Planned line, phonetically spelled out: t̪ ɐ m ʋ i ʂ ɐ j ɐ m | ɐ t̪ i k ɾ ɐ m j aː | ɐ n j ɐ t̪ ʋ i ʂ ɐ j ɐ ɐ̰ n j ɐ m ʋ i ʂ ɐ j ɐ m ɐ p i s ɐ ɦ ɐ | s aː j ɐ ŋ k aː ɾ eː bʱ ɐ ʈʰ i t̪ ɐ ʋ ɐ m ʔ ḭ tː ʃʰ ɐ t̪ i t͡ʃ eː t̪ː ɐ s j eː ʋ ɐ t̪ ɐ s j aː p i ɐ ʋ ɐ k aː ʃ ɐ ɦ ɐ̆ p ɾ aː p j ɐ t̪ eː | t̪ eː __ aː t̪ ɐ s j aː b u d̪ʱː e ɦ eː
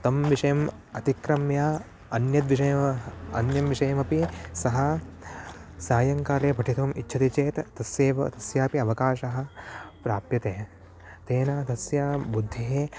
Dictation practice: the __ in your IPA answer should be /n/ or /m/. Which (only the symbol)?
n